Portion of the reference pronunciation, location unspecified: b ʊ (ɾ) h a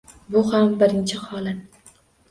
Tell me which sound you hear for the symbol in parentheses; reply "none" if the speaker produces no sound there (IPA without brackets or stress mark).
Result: none